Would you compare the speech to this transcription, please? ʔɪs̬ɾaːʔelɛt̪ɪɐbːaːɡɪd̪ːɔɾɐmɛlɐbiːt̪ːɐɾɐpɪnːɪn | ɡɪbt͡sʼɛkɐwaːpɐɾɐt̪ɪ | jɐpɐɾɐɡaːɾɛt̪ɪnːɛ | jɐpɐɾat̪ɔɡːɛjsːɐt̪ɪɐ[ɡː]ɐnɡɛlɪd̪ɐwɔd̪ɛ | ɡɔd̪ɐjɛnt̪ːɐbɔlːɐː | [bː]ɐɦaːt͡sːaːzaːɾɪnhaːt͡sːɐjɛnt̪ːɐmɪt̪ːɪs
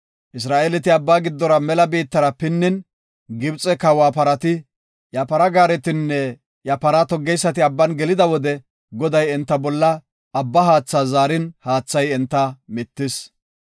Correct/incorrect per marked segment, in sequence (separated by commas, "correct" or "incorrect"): incorrect, correct